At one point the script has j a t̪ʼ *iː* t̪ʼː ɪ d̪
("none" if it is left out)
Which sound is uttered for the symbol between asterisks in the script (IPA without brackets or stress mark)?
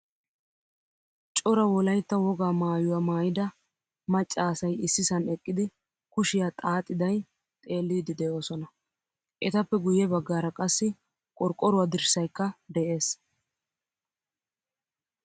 aː